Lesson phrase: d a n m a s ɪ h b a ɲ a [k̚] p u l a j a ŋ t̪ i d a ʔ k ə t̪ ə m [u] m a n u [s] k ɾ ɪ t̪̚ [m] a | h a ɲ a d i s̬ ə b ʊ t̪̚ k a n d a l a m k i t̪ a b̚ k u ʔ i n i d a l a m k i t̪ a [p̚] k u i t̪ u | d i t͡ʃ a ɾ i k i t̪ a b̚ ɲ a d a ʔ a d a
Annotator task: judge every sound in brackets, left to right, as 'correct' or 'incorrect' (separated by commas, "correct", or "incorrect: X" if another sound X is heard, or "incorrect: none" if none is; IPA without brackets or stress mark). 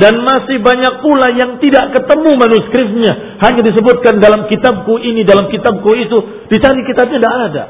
correct, correct, correct, incorrect: ɲ, incorrect: b̚